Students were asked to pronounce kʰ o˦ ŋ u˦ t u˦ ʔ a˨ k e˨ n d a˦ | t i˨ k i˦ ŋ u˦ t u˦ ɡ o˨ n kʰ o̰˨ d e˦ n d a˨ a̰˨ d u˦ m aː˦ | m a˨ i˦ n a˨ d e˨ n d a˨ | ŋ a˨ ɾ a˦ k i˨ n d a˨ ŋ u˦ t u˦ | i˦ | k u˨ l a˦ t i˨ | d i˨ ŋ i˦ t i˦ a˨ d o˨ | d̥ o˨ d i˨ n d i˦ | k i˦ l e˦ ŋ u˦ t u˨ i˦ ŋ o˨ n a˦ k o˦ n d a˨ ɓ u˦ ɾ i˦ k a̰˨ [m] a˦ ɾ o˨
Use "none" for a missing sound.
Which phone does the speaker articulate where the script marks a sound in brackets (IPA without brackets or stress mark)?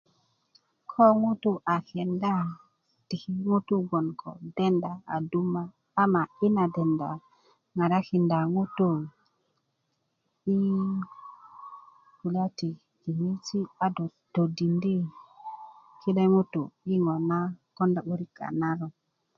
n